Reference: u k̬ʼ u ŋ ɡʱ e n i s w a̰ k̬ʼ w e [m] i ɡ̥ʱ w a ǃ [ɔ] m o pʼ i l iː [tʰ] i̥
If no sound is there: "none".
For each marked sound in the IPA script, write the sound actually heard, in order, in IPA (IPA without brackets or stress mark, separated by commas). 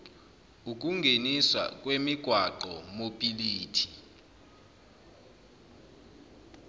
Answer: m, ɔ, tʰ